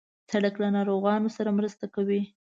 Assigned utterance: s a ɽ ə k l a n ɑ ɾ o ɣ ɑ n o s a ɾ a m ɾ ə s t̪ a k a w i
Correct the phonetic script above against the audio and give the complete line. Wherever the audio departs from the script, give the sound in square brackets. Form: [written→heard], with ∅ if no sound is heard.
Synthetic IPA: s a ɽ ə k l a n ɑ ɾ o ɣ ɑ n o s a ɾ a m ɾ ə s t̪ a k a w i

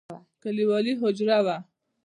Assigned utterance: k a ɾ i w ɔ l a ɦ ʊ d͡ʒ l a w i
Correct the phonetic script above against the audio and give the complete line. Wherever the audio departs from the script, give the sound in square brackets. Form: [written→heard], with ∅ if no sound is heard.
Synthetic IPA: k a [ɾ→l] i w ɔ l [a→i] ɦ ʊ d͡ʒ [l→ɾ] a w [i→a]

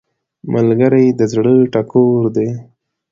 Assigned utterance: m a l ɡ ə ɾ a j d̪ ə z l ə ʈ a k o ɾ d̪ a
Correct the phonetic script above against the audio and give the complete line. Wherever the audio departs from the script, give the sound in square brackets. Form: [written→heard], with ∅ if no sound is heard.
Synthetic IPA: m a l ɡ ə ɾ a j d̪ ə z [l→ɽ] ə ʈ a k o ɾ d̪ [a→e]

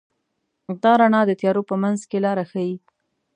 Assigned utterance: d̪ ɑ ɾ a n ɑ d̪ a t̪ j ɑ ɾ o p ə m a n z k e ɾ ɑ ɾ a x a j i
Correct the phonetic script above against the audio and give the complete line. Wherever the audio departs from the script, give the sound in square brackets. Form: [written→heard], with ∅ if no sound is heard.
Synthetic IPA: d̪ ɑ ɾ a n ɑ d̪ [a→ə] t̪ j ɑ ɾ o p ə m a n z k e [ɾ→l] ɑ ɾ a x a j i

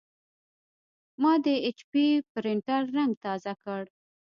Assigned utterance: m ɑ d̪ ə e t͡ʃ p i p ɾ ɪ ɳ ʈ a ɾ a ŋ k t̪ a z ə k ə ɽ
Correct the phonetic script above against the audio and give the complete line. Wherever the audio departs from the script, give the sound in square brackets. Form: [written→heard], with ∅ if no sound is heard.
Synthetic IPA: m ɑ d̪ ə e t͡ʃ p i p ɾ ɪ ɳ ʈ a [ɾ→ɾː] a ŋ [k→ɡ] t̪ [a→ɑ] z [ə→a] k ə ɽ

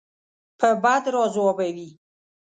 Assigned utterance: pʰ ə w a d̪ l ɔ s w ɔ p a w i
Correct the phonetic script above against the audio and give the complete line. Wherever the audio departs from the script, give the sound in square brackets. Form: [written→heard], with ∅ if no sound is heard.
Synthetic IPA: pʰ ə [w→b] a d̪ [l→ɾ] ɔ [s→z] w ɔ [p→b] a w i

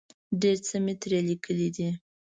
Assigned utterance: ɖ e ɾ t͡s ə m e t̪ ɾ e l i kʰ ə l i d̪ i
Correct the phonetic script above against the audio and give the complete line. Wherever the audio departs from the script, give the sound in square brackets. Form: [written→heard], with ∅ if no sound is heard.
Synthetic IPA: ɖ e ɾ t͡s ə m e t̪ ɾ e l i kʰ ə l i d̪ i

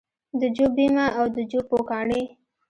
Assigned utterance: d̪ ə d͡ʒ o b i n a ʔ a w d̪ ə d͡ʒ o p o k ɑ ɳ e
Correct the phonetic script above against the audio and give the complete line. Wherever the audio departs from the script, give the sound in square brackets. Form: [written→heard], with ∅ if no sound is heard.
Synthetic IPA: d̪ ə d͡ʒ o b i [n→m] a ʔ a w d̪ ə d͡ʒ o p o k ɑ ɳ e

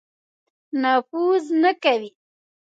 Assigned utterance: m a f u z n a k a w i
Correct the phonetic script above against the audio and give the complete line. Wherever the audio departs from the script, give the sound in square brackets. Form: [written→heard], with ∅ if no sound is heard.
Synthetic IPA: [m→n] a f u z n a k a w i

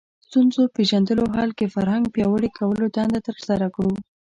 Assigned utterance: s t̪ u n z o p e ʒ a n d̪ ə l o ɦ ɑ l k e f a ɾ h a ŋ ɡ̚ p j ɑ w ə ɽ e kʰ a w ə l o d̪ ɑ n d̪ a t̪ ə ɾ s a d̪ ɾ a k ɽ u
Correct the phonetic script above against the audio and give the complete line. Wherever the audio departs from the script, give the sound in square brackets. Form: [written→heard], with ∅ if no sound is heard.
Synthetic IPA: s t̪ u n z o p e ʒ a n d̪ ə l o ɦ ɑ l k e f a ɾ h a ŋ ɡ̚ p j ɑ w ə ɽ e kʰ a w ə l o d̪ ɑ n d̪ a t̪ ə ɾ s a [d̪→∅] ɾ a k ɽ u

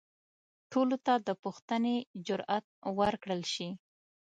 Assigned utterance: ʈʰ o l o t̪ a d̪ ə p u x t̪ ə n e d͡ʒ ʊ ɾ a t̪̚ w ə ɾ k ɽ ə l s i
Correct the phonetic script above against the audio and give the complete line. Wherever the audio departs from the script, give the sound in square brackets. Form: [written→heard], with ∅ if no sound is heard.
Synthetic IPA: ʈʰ o l o t̪ a d̪ ə p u x t̪ ə n e d͡ʒ ʊ ɾ a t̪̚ w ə ɾ k ɽ ə l [s→ʃ] i

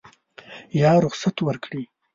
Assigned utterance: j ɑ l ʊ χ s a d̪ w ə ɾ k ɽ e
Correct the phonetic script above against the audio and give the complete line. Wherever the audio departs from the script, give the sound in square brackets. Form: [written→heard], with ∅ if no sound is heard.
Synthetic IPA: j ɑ [l→ɾ] ʊ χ s a [d̪→t̪] w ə ɾ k ɽ [e→i]

